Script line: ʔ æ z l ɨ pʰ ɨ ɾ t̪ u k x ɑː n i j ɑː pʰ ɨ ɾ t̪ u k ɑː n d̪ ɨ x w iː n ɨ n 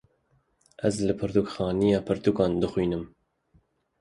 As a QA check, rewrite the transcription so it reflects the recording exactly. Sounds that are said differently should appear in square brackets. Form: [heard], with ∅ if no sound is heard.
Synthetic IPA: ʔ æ z l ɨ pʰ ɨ ɾ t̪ u k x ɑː n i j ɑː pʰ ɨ ɾ t̪ u k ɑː n d̪ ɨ x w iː n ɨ [m]